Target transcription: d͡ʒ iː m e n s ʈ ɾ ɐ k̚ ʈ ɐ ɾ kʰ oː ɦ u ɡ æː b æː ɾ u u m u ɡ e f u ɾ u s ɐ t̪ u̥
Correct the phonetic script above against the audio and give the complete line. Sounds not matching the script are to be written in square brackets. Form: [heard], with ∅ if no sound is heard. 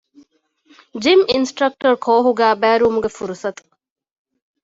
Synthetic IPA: d͡ʒ [i] m [i] n s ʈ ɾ ɐ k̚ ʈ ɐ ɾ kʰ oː ɦ u ɡ æː b æː ɾ u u m u ɡ e f u ɾ u s ɐ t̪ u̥